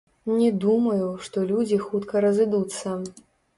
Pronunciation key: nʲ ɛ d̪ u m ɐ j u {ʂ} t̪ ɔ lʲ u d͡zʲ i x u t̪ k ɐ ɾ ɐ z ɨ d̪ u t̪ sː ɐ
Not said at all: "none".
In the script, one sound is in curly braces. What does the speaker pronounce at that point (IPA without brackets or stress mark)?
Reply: ʂ